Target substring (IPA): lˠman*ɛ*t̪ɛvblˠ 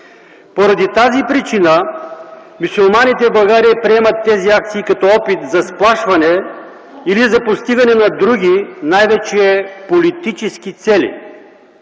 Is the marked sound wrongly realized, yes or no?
yes